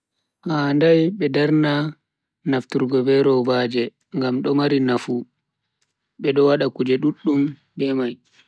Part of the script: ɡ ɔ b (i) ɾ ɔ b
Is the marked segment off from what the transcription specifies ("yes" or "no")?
yes